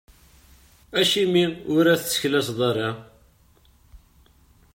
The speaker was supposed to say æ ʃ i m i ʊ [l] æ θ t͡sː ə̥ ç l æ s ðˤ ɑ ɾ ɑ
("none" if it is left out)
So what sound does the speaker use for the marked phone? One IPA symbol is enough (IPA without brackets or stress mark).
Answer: ɾ